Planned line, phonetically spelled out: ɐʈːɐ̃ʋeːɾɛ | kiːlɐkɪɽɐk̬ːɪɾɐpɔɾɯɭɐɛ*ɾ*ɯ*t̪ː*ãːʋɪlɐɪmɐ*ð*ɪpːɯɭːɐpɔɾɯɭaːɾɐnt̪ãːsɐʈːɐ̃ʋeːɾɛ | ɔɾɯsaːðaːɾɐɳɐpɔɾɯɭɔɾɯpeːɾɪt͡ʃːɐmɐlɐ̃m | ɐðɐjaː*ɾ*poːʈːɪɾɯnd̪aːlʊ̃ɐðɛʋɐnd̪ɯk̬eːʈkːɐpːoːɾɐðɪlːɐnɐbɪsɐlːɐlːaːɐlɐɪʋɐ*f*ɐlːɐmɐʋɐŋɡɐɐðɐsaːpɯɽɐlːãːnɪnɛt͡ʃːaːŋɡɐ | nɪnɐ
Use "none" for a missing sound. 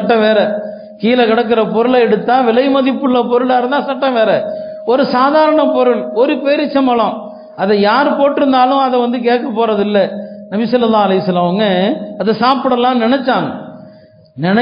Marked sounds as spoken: ɽ, t̪ː, ð, ɾ, s

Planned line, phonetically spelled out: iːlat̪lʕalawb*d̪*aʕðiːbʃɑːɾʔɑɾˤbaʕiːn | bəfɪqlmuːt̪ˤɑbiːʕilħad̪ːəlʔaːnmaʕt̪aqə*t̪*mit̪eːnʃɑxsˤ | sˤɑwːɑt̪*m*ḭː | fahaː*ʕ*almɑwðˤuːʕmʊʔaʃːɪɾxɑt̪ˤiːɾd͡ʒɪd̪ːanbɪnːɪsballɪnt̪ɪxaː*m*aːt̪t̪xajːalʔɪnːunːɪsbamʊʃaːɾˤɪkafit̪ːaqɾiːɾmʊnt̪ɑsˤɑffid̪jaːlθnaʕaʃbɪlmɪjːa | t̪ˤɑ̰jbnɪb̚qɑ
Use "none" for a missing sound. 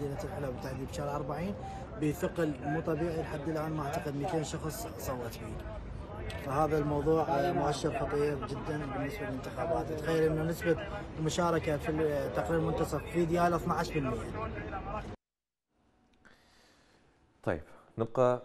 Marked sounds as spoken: t̪, d̪, b, ð, b

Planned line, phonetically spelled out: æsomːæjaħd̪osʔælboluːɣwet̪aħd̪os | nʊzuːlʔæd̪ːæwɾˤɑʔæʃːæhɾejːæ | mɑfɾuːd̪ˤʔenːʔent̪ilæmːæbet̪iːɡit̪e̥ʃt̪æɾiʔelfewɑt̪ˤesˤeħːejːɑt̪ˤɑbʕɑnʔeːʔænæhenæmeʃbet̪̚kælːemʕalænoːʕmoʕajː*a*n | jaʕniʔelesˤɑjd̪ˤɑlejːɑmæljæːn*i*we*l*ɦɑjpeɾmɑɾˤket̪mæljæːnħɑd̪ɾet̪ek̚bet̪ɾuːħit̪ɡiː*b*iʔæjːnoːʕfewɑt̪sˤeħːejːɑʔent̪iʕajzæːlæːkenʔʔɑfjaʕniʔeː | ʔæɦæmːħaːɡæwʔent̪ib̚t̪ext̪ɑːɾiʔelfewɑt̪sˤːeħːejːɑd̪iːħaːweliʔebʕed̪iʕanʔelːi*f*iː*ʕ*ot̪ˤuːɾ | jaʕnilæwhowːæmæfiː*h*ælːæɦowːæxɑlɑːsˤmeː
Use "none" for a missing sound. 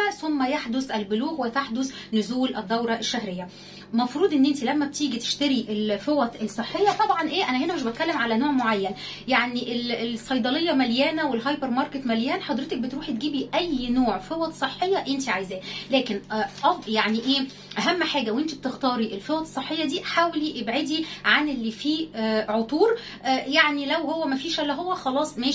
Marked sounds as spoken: æ, æ, l, b, f, ʕ, ʃ

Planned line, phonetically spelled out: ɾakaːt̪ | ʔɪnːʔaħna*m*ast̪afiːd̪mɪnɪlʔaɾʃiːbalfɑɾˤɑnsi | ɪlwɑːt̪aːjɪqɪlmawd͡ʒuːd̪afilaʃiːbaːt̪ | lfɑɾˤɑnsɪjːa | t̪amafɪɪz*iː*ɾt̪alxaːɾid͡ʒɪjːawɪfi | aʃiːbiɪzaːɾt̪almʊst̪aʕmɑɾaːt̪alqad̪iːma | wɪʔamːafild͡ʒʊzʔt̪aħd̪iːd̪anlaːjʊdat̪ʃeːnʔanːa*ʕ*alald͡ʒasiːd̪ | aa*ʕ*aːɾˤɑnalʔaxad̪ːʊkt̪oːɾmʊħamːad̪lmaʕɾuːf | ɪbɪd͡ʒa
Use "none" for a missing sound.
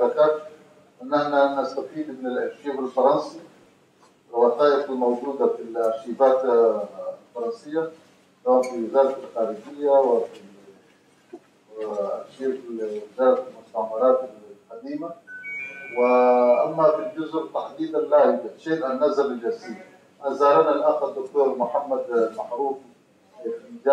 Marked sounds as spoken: n, aː, z, z

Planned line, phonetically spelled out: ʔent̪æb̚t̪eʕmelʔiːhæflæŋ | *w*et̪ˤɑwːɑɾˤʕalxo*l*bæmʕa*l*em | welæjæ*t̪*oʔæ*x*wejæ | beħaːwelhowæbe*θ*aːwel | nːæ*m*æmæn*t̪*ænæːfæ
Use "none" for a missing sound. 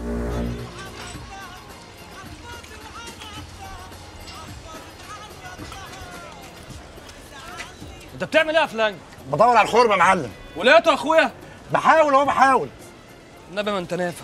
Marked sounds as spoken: b, ɾ, lː, t̪, x, ħ, b, t̪

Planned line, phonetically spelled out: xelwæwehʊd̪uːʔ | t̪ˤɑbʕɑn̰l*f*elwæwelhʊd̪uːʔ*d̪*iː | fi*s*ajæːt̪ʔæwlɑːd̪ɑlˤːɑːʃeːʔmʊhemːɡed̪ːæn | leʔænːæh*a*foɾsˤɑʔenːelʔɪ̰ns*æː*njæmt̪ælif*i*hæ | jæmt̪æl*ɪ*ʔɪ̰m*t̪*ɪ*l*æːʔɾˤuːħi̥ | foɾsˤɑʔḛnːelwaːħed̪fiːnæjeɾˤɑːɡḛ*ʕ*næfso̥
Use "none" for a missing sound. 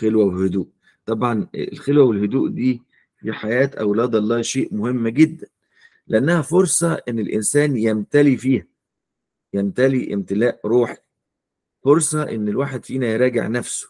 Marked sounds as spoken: x, d̪, ħ, æ, æː, iː, i, t̪, l, ʕ

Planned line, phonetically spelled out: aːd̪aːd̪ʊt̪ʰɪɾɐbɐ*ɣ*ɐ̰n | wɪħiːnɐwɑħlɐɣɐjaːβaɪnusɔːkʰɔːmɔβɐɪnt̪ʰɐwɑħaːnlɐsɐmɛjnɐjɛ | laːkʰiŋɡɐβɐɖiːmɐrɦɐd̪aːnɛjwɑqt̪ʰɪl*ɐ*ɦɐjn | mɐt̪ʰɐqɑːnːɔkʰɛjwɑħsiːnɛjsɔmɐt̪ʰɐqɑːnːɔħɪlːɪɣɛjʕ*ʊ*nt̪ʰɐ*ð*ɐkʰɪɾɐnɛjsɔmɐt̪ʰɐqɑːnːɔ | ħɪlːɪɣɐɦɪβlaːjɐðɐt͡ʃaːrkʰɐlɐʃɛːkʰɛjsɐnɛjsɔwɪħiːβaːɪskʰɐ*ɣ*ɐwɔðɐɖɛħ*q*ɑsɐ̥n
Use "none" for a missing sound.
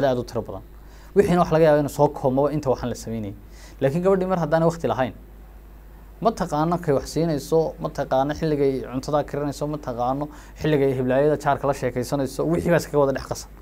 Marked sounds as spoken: ð, ɐ, ʊ, ð, ɣ, q

